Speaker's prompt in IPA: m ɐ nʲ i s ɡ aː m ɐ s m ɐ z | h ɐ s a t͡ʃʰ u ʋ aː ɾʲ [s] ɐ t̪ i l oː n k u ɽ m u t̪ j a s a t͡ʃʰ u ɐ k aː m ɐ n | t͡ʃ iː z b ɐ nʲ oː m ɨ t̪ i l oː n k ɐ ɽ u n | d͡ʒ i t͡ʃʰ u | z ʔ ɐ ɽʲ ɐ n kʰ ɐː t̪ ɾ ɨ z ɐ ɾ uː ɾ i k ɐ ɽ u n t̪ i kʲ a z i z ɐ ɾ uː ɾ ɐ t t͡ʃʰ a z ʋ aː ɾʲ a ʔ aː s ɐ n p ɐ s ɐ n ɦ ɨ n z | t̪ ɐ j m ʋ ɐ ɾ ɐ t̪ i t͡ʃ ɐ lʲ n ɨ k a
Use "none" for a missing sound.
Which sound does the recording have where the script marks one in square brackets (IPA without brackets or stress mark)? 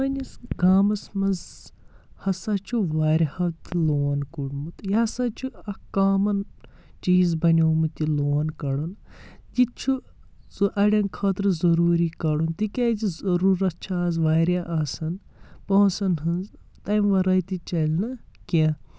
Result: h